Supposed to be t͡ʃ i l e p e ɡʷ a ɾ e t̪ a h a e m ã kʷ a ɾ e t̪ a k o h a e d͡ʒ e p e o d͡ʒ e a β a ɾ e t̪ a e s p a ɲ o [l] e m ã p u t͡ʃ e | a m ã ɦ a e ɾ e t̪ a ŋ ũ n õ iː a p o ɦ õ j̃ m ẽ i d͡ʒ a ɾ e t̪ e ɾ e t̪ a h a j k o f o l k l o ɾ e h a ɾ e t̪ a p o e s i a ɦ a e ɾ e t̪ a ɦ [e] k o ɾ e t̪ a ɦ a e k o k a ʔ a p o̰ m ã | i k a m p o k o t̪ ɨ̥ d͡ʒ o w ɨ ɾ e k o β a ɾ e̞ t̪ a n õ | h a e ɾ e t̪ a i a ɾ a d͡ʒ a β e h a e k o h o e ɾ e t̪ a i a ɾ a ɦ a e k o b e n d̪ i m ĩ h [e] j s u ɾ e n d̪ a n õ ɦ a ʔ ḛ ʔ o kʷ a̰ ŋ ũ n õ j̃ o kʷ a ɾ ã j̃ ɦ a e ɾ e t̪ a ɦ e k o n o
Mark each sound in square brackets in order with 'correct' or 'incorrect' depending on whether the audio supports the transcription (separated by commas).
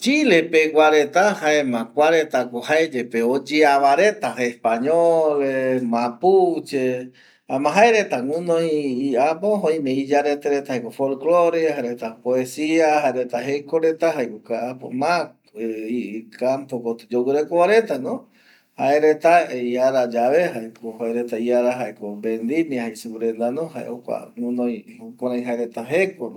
correct, correct, incorrect